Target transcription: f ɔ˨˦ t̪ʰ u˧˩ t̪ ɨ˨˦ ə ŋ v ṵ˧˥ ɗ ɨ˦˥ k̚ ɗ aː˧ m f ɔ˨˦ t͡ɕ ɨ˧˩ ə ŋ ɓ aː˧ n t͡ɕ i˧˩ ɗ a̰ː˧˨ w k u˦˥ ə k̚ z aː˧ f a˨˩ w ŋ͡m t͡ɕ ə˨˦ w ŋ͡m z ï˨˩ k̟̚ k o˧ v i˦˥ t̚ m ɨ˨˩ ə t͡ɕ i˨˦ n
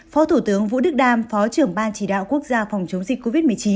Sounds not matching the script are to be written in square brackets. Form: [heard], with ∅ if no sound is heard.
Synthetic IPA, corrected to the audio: f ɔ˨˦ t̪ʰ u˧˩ t̪ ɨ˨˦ ə ŋ v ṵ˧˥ ɗ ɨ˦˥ k̚ ɗ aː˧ m f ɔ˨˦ t͡ɕ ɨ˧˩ ə ŋ ɓ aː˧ n t͡ɕ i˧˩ ɗ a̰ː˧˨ w k u˦˥ ə k̚ z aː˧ f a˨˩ w ŋ͡m t͡ɕ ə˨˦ w ŋ͡m z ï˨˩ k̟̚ k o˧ v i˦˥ t̚ m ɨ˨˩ ə t͡ɕ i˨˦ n